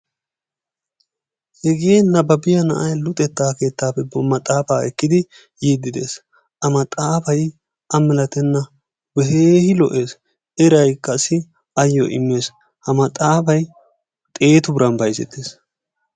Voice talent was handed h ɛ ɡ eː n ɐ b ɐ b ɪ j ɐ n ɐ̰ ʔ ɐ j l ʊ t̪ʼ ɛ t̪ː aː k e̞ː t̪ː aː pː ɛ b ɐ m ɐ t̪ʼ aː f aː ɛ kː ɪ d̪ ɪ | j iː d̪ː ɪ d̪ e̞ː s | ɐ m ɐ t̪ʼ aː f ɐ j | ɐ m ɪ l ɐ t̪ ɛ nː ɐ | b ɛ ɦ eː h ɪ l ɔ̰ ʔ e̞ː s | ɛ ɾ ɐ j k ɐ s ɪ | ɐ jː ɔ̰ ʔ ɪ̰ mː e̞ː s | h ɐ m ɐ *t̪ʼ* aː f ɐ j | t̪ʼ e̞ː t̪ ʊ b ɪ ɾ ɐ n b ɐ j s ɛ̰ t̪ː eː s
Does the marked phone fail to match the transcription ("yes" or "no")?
no